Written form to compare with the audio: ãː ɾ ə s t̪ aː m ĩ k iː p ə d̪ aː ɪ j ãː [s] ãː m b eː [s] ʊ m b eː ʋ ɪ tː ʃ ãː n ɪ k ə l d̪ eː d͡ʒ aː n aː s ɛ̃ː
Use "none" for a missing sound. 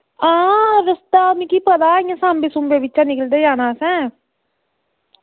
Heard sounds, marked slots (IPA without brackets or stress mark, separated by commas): s, s